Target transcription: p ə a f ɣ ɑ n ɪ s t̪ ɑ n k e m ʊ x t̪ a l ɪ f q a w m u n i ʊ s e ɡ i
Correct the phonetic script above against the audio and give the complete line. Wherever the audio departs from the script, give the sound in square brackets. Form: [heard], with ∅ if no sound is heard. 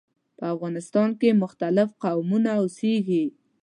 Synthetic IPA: p ə a f ɣ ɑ n ɪ s t̪ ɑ n k e m ʊ x t̪ a l ɪ f q a w m u n [a] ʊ s e ɡ i

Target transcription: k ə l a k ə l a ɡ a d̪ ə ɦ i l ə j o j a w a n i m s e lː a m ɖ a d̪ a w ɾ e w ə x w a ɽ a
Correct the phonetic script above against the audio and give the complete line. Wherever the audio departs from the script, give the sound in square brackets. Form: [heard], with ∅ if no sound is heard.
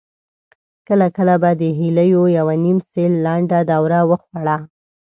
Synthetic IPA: k ə l a k ə l a [b] a d̪ ə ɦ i l ə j o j a w a n i m s e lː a [ɳ] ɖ a d̪ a w ɾ [a] w ə x w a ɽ a

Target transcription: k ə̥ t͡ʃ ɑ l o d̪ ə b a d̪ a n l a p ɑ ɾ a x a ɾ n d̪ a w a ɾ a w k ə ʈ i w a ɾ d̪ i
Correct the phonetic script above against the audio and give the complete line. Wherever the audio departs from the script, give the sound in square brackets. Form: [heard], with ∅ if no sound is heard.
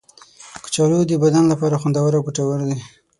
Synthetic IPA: k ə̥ t͡ʃ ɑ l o d̪ ə b a d̪ a n l a p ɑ ɾ a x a [∅] n d̪ a w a ɾ a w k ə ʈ [a] w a ɾ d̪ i

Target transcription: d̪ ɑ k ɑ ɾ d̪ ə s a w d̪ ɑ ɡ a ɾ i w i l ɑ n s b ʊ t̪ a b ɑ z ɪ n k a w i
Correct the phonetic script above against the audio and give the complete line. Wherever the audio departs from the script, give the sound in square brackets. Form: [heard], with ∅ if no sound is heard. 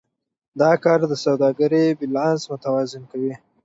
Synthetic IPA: d̪ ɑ k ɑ ɾ d̪ ə s a w d̪ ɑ ɡ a ɾ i [b] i l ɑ n s [m] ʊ t̪ a [w] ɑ z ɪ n k a w i

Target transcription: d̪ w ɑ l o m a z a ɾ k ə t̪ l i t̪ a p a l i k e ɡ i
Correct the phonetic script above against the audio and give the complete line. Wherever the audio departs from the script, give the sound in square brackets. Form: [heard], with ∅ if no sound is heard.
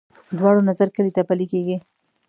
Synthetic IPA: d̪ w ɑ [ɽ] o [n] a z a ɾ k ə [∅] l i t̪ a p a l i k e ɡ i

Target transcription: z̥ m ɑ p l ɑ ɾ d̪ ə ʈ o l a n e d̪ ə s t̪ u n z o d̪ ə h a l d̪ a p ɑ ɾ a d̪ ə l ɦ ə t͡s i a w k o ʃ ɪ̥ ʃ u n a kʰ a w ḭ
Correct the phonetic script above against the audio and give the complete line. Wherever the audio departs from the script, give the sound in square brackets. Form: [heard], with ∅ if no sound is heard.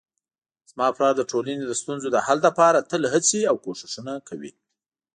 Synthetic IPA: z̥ m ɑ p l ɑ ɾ d̪ ə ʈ o l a n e d̪ ə s t̪ u n z o d̪ ə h a l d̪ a p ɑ ɾ a [t̪] ə l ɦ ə t͡s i a w k o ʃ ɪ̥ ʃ u n a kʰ a w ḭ

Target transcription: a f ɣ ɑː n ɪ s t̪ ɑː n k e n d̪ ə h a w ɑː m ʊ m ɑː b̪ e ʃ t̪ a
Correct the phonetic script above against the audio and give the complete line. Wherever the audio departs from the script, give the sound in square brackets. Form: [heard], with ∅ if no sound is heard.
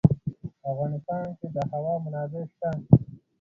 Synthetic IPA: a f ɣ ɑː n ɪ s t̪ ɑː n k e [∅] d̪ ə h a w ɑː m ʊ [n] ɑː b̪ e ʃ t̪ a

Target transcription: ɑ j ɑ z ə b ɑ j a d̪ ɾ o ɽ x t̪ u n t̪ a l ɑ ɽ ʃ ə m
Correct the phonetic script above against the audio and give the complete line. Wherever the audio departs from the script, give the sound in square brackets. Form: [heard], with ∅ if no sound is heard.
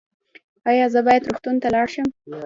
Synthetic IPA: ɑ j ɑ z ə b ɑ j a d̪ ɾ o [∅] x t̪ u n t̪ a l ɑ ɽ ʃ ə m

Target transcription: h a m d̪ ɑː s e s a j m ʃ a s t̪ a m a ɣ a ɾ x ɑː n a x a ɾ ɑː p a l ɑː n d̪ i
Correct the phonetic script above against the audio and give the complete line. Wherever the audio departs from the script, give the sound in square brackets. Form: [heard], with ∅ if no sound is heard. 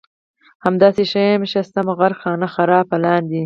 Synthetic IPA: h a m d̪ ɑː s e [ʃ] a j m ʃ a s t̪ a m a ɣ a ɾ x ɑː n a x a ɾ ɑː p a l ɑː n d̪ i

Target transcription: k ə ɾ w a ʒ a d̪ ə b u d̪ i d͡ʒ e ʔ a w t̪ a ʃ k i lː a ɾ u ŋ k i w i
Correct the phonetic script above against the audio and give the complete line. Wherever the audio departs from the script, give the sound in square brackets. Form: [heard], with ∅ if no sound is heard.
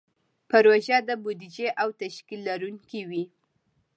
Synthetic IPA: [p] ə ɾ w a ʒ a d̪ ə b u d̪ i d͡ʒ e ʔ a w t̪ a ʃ k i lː a ɾ u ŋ k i w i

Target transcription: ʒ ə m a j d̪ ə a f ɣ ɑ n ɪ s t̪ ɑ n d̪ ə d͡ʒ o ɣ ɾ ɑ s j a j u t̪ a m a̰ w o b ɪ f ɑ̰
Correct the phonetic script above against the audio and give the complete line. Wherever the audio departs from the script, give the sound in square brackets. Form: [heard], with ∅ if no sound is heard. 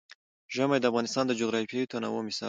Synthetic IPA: ʒ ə m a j d̪ ə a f ɣ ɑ n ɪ s t̪ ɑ n d̪ ə d͡ʒ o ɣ ɾ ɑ [f] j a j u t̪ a [n] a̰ w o [m] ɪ [s] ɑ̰

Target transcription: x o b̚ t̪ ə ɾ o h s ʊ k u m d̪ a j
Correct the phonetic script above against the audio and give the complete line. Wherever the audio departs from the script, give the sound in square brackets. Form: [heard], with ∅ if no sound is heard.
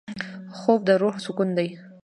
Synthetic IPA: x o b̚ [d̪] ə ɾ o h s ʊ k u [n] d̪ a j

